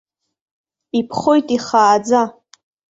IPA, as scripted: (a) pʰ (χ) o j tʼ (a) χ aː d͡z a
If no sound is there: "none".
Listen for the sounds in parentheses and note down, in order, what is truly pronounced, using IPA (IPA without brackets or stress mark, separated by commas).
i, χ, i